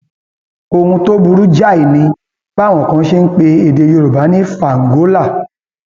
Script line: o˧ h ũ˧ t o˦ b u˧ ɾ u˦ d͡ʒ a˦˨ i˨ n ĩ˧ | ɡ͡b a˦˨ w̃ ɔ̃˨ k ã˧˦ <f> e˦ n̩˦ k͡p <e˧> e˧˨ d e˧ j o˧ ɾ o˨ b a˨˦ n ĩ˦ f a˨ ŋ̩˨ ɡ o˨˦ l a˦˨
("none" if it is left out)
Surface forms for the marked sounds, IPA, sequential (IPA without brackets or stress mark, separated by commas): ʃ, e˧